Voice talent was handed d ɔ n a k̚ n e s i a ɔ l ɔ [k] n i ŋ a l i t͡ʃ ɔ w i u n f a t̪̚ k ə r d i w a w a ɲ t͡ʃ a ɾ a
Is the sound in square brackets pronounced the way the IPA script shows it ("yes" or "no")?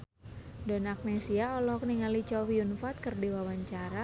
yes